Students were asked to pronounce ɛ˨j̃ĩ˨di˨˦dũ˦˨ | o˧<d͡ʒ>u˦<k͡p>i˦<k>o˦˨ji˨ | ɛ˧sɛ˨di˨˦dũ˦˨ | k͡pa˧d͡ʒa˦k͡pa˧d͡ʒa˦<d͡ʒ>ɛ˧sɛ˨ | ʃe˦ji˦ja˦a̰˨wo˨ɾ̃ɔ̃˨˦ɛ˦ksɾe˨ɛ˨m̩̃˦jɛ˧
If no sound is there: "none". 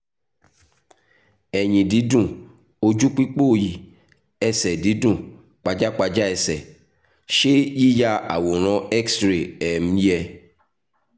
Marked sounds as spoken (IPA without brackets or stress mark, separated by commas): d͡ʒ, k͡p, k͡p, none